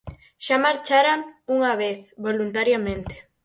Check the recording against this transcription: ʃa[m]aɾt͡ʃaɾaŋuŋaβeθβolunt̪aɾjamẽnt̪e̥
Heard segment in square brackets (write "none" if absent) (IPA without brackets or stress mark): m